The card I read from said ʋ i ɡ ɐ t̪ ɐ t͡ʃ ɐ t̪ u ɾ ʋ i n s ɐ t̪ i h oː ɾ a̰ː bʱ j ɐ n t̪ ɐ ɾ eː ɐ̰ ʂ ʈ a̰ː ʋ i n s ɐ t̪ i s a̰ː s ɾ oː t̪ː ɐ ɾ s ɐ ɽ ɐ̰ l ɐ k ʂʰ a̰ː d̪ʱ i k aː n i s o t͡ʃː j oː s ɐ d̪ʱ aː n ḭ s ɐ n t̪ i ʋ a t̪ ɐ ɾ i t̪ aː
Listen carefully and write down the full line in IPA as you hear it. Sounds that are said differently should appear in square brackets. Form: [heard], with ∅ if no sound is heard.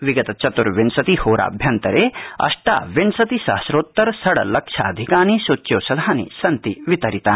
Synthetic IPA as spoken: ʋ i ɡ ɐ t̪ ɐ t͡ʃ ɐ t̪ u ɾ ʋ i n s ɐ t̪ i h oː ɾ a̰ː bʱ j ɐ n t̪ ɐ ɾ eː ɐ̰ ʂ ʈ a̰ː ʋ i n s ɐ t̪ i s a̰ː s ɾ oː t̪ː ɐ ɾ s ɐ ɽ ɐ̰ l ɐ k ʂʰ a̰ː d̪ʱ i k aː n i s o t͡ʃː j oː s ɐ d̪ʱ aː n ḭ s ɐ n t̪ i ʋ [i] t̪ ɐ ɾ i t̪ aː